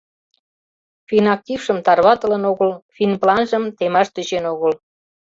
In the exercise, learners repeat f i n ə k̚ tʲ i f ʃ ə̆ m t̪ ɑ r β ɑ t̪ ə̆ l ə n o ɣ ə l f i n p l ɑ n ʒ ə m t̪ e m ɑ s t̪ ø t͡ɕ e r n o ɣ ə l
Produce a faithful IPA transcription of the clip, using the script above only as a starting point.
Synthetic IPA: f i n ɑ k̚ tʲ i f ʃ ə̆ m t̪ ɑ r β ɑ t̪ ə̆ l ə n o ɣ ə l f i n p l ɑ n ʒ ə m t̪ e m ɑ ʃ t̪ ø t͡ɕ e n o ɣ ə l